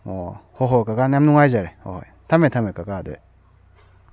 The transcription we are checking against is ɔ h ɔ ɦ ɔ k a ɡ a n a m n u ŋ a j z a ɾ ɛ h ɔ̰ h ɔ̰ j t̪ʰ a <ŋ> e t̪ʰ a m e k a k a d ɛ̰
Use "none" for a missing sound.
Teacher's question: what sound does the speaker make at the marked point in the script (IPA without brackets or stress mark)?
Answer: m